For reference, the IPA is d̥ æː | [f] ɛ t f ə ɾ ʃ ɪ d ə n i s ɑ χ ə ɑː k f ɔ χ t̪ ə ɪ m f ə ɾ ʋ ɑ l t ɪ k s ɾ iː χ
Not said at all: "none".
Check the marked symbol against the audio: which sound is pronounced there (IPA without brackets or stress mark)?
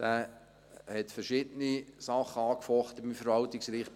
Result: h